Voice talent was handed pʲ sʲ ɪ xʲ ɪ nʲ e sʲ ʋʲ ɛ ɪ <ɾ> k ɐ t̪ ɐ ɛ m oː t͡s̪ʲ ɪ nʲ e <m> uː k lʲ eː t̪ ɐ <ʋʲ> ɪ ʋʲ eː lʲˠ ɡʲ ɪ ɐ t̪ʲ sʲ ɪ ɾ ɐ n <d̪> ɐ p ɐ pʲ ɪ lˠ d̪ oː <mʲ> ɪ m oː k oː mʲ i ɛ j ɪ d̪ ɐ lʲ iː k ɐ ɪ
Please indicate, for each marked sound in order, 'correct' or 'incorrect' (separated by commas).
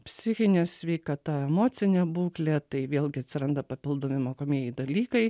incorrect, incorrect, incorrect, correct, correct